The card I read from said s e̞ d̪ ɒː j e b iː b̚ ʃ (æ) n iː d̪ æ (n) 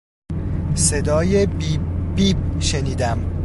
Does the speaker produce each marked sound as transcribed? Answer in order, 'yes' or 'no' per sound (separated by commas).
no, no